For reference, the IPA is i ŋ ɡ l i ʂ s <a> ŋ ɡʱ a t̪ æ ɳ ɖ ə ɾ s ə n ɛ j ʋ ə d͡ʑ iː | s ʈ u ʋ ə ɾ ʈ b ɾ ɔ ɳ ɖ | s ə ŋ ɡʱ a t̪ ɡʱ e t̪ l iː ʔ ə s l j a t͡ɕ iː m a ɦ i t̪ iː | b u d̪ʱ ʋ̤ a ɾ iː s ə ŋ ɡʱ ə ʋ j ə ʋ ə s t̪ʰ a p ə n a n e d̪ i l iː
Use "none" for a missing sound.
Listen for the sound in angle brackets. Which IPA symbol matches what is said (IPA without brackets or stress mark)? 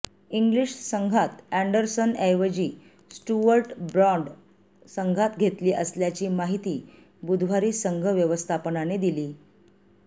ə